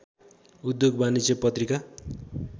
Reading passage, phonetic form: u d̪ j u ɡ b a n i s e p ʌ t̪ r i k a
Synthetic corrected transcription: u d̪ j o ɡ b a n i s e p ʌ t̪ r i k a